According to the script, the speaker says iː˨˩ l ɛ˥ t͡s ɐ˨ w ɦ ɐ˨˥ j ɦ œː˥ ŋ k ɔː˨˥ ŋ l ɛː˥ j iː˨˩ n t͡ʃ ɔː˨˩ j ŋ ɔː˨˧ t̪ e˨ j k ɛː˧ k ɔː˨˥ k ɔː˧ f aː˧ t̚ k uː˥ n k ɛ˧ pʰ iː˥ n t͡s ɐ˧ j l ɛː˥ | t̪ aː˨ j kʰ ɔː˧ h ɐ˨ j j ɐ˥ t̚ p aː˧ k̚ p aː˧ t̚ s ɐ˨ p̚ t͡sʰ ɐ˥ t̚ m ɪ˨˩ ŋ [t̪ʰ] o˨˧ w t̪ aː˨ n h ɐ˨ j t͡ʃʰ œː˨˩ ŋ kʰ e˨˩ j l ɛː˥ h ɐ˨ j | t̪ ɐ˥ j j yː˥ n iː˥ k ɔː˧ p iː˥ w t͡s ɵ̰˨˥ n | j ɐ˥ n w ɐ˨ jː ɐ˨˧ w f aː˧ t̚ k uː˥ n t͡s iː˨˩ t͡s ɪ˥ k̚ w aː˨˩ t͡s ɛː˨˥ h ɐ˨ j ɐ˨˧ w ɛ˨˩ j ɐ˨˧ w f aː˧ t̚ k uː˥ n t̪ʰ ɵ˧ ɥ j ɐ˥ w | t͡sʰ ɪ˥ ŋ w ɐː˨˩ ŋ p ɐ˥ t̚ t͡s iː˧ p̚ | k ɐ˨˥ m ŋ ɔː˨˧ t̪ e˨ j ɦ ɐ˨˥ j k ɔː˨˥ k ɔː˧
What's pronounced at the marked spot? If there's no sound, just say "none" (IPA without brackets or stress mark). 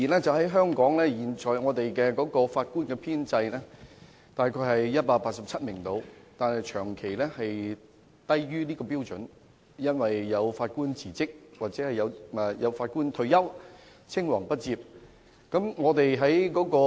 t̪